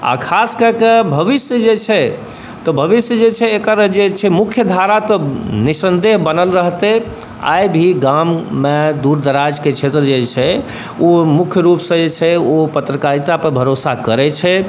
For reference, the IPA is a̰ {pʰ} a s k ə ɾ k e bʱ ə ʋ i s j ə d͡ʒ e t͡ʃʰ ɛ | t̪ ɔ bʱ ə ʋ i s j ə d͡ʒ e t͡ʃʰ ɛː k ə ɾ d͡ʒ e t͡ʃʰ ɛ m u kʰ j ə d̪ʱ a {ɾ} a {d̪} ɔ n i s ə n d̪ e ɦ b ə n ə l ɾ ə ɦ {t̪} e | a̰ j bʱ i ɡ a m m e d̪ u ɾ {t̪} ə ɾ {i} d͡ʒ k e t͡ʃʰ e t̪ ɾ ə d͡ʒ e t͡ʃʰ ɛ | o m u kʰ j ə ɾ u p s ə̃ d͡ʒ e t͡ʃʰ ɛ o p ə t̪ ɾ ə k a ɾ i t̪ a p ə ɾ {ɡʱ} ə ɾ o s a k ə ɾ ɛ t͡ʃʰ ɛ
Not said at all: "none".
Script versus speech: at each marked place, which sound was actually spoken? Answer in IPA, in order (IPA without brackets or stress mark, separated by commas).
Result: kʰ, ɾ, t̪, t̪, d̪, a, bʱ